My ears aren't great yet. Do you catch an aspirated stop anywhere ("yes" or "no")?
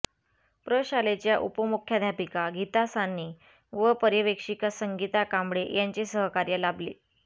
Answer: yes